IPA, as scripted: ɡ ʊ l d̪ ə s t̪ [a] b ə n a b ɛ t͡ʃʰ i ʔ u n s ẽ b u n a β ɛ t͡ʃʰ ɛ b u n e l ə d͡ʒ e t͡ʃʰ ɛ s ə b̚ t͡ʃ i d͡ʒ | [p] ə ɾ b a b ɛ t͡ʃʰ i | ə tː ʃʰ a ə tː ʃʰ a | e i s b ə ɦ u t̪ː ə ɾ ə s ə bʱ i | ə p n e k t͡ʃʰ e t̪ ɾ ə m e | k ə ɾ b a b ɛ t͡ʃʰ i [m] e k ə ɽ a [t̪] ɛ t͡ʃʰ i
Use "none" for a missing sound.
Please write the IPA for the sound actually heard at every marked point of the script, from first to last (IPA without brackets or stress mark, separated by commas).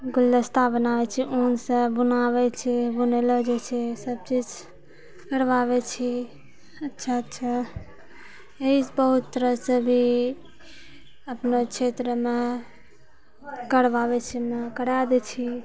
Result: a, k, m, d̪